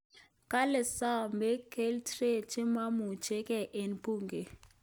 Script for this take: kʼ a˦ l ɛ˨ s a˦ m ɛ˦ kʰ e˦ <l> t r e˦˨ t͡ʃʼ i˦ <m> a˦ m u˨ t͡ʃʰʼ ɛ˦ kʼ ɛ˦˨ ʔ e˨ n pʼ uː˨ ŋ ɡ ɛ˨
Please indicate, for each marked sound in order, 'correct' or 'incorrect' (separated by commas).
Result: correct, correct